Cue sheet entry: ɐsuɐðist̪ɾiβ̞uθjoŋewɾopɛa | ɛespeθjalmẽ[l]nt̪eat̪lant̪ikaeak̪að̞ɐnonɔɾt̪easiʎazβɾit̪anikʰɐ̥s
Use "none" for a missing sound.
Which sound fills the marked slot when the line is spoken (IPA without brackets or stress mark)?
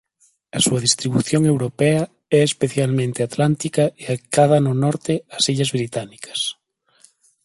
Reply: none